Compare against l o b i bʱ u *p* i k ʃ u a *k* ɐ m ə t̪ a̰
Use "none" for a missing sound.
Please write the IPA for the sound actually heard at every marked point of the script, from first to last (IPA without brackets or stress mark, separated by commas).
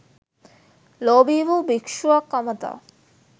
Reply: b, k